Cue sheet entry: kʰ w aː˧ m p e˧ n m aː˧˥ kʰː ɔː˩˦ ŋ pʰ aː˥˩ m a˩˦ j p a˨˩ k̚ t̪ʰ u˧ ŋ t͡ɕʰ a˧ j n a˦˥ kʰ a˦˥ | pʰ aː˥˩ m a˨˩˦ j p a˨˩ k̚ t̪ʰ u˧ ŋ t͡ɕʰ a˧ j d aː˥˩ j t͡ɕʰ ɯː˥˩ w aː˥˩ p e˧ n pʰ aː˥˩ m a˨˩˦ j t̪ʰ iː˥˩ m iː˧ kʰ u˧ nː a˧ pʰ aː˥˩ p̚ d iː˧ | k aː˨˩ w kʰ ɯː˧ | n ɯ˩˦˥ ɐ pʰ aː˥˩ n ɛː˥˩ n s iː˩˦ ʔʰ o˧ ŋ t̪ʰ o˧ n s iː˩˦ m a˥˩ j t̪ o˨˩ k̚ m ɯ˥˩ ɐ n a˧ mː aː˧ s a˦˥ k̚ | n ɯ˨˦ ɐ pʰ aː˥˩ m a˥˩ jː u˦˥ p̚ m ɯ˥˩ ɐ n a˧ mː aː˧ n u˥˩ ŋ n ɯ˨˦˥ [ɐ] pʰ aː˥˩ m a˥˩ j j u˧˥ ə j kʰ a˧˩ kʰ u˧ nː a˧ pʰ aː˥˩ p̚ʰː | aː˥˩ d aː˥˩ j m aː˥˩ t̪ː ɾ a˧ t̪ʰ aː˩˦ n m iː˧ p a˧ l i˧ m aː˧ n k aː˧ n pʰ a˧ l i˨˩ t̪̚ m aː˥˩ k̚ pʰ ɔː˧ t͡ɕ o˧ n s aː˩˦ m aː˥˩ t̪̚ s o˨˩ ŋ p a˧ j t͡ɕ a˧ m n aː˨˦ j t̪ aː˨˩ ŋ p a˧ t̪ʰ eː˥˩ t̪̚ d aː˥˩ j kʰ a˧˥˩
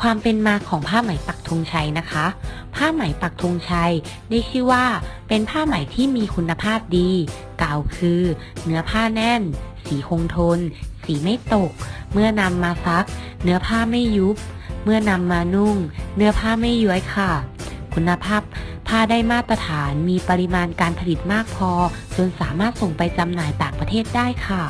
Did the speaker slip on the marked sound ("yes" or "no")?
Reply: no